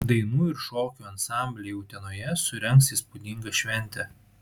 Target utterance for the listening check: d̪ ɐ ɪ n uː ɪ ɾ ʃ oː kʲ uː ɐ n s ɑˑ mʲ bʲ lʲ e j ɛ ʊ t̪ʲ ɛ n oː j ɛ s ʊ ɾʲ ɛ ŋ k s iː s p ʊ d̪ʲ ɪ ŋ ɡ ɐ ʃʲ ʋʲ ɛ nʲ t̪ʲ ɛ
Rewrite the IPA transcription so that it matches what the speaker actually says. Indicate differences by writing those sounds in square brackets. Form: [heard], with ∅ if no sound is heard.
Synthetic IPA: d̪ ɐ ɪ n uː ɪ ɾ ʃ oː kʲ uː ɐ n s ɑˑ mʲ bʲ lʲ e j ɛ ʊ t̪ʲ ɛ n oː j ɛ s ʊ ɾʲ ɛ ŋ k s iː s p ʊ d̪ʲ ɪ ŋ ɡ ɐ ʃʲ ʋʲ ɛ nʲ t̪ʲ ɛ